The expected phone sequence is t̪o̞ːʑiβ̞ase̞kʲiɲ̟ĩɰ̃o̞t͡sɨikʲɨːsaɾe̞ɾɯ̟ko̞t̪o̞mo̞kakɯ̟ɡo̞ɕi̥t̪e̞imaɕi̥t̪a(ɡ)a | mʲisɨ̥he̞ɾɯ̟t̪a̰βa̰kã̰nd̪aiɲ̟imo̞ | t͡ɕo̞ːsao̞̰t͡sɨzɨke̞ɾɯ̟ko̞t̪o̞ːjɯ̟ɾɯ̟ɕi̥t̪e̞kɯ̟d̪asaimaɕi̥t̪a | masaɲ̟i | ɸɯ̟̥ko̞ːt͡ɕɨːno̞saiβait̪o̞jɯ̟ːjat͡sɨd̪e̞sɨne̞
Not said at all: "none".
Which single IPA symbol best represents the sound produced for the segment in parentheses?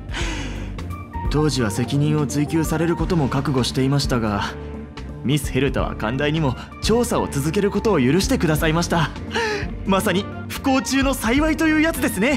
ɡ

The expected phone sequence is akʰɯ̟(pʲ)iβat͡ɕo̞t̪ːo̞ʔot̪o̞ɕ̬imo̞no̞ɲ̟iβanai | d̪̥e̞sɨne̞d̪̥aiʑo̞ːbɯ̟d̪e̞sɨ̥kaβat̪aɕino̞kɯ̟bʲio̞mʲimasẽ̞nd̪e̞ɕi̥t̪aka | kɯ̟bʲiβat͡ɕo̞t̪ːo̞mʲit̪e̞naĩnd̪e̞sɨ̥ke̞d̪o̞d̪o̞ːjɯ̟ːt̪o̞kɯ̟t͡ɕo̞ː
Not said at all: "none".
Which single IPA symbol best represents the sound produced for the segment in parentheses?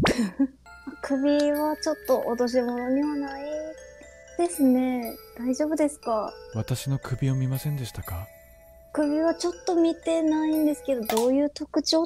bʲ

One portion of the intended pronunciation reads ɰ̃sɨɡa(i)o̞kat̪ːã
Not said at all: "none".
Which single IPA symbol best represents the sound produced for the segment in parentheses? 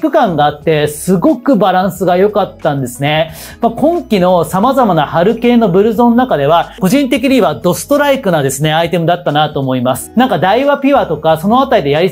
j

